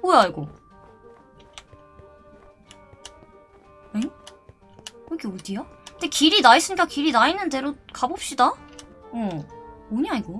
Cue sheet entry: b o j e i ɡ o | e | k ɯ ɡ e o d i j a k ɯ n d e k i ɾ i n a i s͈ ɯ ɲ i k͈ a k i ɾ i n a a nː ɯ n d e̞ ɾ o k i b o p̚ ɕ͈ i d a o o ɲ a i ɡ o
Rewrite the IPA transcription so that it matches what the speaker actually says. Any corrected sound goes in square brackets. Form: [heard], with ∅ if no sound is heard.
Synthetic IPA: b o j [a] i ɡ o | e | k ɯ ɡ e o d i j a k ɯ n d e k i ɾ i n a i s͈ ɯ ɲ i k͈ a k i ɾ i n a [i] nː ɯ n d e̞ ɾ o k [a] b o p̚ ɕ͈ i d a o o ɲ a i ɡ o

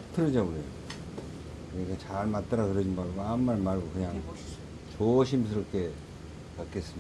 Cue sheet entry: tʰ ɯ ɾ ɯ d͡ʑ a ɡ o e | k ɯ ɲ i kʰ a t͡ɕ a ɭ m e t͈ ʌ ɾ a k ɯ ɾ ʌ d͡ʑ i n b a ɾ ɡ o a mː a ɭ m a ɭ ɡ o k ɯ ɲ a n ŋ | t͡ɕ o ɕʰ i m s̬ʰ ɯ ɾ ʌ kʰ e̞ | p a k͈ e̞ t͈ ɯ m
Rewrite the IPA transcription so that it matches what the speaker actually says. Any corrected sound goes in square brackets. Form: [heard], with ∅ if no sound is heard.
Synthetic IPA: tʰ ɯ ɾ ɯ d͡ʑ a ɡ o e | k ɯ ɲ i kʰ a t͡ɕ a ɭ m [a] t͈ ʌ ɾ a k ɯ ɾ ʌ d͡ʑ i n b a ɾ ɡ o a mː a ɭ m a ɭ ɡ o k ɯ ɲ a [∅] ŋ | t͡ɕ o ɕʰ i m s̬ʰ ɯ ɾ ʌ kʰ e̞ | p a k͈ e̞ [s͈] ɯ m

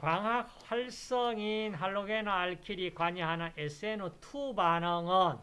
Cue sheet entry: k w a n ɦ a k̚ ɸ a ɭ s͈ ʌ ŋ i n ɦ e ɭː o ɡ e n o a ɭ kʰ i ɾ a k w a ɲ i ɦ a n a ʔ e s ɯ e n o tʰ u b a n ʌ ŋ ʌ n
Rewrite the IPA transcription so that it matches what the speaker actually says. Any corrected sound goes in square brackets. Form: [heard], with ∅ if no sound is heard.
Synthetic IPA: k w a [ŋ] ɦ a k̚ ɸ a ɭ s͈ ʌ ŋ i n ɦ [a] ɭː o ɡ e n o a ɭ kʰ i ɾ [i] k w a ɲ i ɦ a n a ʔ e s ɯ e n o tʰ u b a n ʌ ŋ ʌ n

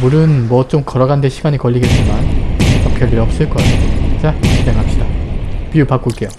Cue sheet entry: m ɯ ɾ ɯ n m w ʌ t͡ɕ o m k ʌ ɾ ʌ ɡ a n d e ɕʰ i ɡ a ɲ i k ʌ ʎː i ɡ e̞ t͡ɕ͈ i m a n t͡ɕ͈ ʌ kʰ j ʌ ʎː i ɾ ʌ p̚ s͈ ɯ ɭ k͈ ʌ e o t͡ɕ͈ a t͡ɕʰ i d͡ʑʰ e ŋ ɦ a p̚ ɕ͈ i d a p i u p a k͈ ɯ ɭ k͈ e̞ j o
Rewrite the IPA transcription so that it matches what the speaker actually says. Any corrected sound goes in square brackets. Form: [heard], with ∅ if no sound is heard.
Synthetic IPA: m [u] ɾ ɯ n m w ʌ t͡ɕ o m k ʌ ɾ ʌ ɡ a n d e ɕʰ i ɡ a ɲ i k ʌ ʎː i ɡ e̞ t͡ɕ͈ i m a n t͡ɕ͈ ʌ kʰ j ʌ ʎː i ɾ ʌ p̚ s͈ ɯ ɭ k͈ ʌ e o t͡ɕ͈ a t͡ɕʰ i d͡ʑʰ e ŋ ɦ a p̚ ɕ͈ i d a p i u p a k͈ [u] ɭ k͈ e̞ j o

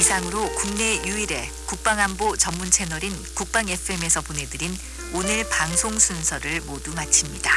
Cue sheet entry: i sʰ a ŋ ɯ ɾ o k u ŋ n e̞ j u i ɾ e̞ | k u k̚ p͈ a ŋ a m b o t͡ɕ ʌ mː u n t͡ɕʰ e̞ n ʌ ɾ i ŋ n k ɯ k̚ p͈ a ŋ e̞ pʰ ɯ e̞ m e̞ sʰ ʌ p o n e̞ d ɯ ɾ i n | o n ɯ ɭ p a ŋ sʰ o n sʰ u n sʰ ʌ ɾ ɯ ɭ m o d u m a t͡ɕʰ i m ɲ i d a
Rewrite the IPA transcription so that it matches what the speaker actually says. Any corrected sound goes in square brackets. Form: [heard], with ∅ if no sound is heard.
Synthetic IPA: i sʰ a ŋ ɯ ɾ o k u ŋ n e̞ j u i ɾ e̞ | k u k̚ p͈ a ŋ a m b o t͡ɕ ʌ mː u n t͡ɕʰ e̞ n ʌ ɾ i [∅] n k [u] k̚ p͈ a ŋ e̞ pʰ ɯ e̞ m e̞ sʰ ʌ p o n e̞ d ɯ ɾ i n | o n ɯ ɭ p a ŋ sʰ o [ŋ] sʰ u n sʰ ʌ ɾ ɯ ɭ m o d u m a t͡ɕʰ i m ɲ i d a

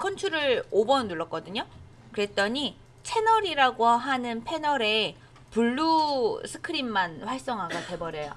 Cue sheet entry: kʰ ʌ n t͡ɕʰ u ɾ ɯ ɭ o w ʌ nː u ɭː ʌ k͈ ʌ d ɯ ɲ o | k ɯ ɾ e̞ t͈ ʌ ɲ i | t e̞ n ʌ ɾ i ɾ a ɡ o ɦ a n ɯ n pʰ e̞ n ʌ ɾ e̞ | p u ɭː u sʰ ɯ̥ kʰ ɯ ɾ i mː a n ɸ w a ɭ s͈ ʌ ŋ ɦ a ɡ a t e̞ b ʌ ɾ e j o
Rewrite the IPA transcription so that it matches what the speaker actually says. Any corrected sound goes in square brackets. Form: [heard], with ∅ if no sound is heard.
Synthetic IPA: kʰ ʌ n t͡ɕʰ u ɾ ɯ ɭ o [b] ʌ nː u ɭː ʌ k͈ ʌ d ɯ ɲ o | k ɯ ɾ e̞ t͈ ʌ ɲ i | [t͡ɕʰ] e̞ n ʌ ɾ i ɾ a ɡ o ɦ a n ɯ n pʰ e̞ n ʌ ɾ e̞ | p u ɭː u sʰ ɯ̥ kʰ ɯ ɾ i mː a n ɸ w a ɭ s͈ ʌ ŋ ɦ a ɡ a t e̞ b ʌ ɾ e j o

